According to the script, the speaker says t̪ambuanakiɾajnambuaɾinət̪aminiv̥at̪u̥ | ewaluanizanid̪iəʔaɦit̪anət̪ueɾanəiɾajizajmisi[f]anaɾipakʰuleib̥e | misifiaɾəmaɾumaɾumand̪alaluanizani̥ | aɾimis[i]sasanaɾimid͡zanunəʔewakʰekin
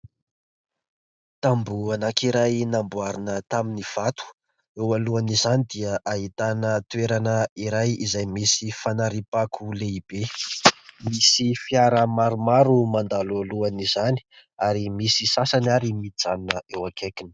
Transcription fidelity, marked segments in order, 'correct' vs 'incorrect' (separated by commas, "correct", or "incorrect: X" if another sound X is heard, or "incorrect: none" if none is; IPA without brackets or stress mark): correct, correct